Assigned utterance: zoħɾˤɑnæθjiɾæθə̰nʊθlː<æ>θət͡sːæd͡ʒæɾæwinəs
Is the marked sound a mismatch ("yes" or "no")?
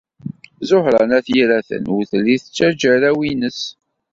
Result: yes